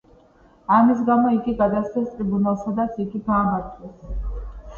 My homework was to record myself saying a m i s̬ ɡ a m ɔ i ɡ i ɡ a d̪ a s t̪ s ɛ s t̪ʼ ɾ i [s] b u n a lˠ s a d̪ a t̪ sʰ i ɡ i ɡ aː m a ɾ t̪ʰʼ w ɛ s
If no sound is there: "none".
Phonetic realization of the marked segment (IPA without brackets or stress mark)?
none